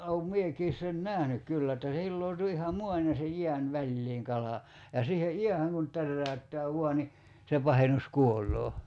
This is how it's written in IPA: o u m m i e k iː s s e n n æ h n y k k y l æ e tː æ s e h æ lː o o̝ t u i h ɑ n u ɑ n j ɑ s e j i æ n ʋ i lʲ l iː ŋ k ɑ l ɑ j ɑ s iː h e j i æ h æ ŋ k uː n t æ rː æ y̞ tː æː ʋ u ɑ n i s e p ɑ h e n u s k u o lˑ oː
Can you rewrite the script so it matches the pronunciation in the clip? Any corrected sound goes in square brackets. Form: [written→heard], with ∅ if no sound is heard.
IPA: o u m m i e k iː s s e n n æ h n y k k y [l→lː] æ e tː æ s e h [æ→i] lː o o̝ t u i h ɑ [n→m] u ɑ n j ɑ s e j i æ n ʋ [i→æ] lʲ l iː ŋ k ɑ l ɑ j ɑ s iː h e j i æ h æ ŋ k [uː→u] n t æ rː æ y̞ tː æː ʋ u ɑ n i s e p ɑ h e n u s k u o lˑ oː